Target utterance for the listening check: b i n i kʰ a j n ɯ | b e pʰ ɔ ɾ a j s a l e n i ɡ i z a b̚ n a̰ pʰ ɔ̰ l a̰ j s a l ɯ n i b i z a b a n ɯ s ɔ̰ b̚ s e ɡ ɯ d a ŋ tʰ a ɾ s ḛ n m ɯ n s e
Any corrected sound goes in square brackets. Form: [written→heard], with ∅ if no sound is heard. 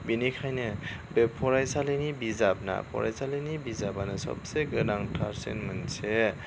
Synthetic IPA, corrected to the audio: b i n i kʰ a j n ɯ | b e pʰ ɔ ɾ a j s a l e n i [ɡ→b] i z a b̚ n a̰ pʰ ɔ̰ [l→ɾ] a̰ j s a l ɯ n i b i z a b a n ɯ s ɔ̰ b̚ s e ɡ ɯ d a ŋ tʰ a ɾ s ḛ n m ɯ n s e